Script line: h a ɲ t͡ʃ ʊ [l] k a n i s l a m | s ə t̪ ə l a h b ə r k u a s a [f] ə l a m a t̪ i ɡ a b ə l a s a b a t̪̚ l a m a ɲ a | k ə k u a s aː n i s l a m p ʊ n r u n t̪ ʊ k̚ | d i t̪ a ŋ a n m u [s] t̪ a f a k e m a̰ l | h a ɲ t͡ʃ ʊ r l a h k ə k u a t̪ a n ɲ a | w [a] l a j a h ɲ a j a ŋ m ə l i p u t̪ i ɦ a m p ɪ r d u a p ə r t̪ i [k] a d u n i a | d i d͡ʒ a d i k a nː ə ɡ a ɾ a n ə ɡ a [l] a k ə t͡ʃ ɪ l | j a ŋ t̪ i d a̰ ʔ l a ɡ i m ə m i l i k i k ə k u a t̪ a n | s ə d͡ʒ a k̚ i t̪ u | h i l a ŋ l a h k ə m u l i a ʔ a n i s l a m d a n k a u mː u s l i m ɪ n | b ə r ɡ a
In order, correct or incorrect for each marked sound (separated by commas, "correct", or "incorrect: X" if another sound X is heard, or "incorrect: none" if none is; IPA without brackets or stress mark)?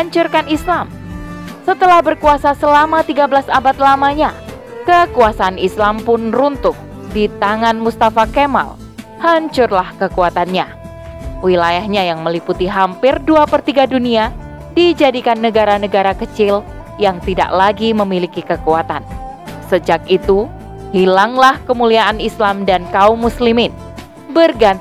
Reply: incorrect: r, incorrect: s, correct, incorrect: i, incorrect: ɡ, incorrect: ɾ